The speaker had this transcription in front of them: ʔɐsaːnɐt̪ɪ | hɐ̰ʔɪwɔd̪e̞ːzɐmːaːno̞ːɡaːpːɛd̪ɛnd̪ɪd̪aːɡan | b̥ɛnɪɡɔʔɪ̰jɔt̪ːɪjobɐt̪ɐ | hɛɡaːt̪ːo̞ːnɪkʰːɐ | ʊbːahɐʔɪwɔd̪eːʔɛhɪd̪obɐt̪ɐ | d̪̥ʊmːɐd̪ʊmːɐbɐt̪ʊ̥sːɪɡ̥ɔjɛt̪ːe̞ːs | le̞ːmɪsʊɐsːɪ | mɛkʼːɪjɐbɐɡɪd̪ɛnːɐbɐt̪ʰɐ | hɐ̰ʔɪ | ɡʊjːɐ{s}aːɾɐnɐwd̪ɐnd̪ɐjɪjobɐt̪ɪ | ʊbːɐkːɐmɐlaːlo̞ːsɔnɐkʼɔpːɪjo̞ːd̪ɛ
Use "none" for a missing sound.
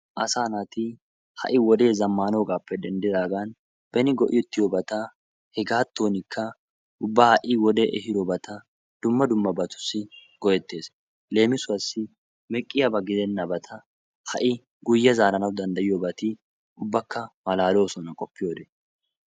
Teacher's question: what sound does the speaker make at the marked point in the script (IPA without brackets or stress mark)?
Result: z